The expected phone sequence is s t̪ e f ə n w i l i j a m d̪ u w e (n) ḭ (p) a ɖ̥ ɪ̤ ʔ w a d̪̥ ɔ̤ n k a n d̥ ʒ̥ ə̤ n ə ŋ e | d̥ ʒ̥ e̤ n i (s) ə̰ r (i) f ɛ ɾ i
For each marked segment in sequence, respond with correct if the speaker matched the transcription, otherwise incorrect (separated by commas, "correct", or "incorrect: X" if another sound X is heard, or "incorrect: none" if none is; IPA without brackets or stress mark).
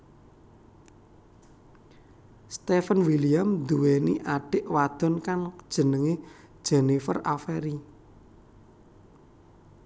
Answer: correct, incorrect: ʔ, incorrect: f, incorrect: a